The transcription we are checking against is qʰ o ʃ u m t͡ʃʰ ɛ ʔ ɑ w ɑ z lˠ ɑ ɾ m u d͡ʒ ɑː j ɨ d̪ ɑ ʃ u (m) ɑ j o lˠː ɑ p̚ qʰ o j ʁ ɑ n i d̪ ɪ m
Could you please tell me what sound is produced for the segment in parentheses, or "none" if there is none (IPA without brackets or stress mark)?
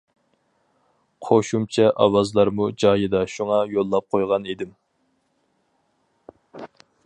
ŋ